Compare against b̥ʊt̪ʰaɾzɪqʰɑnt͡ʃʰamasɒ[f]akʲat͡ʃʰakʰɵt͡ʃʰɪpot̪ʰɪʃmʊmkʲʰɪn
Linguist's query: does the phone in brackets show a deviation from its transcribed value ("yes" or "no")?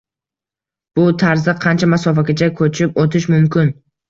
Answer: no